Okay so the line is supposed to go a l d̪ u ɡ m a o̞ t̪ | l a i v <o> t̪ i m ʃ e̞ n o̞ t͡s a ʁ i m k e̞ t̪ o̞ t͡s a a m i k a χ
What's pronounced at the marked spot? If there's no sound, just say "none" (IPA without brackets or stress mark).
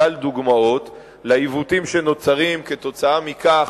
u